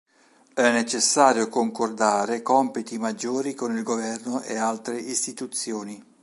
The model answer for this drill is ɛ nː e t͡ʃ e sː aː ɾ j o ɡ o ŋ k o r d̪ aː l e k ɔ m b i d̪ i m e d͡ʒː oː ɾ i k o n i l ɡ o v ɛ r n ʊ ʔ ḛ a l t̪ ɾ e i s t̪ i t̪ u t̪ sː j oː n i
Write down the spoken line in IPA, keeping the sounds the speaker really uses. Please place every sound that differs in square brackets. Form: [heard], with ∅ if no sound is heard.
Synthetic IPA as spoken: ɛ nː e t͡ʃ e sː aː ɾ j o [k] o ŋ k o r d̪ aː [ɾ] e k ɔ m [p] i [t̪] i m [a] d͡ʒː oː ɾ i k o n i l ɡ o v ɛ r n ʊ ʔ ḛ a l t̪ ɾ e i s t̪ i t̪ u t̪ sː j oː n i